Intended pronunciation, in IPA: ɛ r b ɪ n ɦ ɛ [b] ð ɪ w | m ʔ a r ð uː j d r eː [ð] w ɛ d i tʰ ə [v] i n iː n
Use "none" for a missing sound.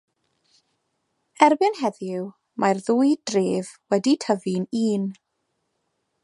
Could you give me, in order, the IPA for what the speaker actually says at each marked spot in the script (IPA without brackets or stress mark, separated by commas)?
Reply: none, v, v